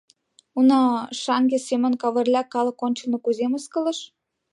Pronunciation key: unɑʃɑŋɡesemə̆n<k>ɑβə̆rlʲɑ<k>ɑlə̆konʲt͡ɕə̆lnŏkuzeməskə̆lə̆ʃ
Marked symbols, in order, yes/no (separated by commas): yes, yes